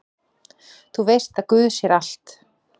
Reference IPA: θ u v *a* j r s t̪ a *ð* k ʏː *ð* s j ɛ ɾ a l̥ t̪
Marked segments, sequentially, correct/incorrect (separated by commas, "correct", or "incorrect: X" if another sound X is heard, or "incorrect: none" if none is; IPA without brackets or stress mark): incorrect: e, correct, correct